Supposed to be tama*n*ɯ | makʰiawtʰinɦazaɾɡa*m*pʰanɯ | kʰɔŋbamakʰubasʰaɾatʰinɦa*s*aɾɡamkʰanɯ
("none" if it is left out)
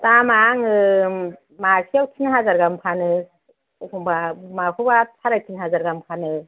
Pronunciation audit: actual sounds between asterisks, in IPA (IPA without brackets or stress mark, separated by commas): ŋ, m, z